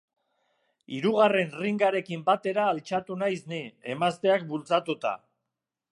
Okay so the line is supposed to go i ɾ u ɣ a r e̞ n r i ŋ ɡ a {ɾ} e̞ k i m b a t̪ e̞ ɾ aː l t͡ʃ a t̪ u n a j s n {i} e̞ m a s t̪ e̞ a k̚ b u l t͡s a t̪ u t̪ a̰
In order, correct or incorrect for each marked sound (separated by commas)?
correct, correct